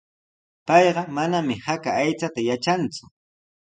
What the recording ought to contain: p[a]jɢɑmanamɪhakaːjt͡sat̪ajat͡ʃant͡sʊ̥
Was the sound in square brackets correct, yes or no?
no